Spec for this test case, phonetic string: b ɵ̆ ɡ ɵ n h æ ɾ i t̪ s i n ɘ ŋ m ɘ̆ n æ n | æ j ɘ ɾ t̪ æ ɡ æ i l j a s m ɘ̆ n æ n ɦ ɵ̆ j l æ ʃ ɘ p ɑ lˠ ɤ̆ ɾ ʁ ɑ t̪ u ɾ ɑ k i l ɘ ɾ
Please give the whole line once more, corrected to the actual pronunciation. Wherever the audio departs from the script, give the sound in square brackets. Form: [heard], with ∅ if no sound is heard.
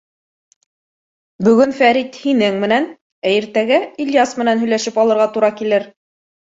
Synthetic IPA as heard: b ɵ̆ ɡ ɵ n [f] æ ɾ i t̪ [h] i n ɘ ŋ m ɘ̆ n æ n | æ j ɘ ɾ t̪ æ ɡ æ i l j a s m ɘ̆ n æ n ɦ ɵ̆ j l æ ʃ ɘ p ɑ lˠ ɤ̆ ɾ ʁ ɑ t̪ u ɾ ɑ k i l ɘ ɾ

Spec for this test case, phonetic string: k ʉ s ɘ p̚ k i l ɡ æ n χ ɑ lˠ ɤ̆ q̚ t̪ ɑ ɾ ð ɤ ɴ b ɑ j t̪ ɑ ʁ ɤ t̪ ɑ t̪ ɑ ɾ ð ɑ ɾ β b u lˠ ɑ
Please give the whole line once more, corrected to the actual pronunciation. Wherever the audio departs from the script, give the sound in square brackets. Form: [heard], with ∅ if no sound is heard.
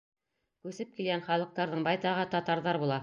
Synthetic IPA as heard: k ʉ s ɘ p̚ k i l ɡ æ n χ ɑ lˠ ɤ̆ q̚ t̪ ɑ ɾ ð ɤ ɴ b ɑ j t̪ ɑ ʁ ɤ t̪ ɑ t̪ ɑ ɾ ð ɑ ɾ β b u lˠ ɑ

